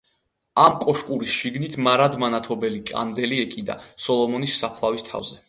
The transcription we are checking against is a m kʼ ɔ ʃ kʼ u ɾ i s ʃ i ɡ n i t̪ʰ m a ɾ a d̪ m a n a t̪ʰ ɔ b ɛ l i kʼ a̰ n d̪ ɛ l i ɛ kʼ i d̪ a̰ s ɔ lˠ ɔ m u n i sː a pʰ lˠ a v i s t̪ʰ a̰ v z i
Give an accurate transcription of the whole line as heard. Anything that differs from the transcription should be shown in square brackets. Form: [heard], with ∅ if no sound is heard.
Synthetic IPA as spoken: a m kʼ ɔ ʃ kʼ u ɾ i s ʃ i ɡ n i t̪ʰ m a ɾ a d̪ m a n a t̪ʰ ɔ b ɛ l i kʼ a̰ n d̪ ɛ l i ɛ kʼ i d̪ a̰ s ɔ lˠ ɔ m [ɔ] n i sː a pʰ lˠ a v i s t̪ʰ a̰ v z [ɛ]